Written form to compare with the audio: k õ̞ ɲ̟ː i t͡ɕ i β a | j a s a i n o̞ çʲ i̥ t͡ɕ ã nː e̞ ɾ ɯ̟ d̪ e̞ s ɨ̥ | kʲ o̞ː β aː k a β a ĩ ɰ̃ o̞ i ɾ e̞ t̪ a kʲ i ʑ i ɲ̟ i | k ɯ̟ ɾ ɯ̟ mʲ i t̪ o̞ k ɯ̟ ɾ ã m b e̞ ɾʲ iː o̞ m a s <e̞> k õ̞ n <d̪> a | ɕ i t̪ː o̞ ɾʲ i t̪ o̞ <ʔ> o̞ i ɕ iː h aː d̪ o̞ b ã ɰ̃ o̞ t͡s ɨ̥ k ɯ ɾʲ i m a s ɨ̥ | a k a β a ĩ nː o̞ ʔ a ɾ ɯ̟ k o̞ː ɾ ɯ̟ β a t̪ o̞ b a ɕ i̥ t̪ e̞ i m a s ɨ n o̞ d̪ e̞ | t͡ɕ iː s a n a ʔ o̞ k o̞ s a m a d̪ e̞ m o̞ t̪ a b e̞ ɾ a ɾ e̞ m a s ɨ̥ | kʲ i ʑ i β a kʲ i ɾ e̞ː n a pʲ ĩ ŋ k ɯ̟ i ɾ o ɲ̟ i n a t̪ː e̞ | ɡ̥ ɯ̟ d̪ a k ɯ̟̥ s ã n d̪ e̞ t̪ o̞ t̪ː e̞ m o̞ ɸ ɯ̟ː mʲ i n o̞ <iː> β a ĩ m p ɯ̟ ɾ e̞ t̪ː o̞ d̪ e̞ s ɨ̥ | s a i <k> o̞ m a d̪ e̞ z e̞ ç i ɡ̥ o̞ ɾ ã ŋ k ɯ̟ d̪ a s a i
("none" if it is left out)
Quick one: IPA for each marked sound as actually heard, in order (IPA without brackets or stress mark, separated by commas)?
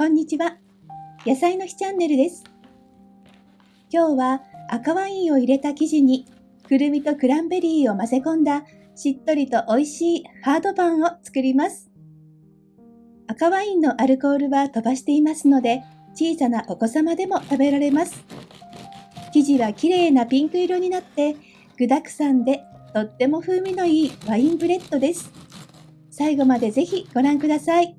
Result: e̞, d̪, ʔ, iː, ɡ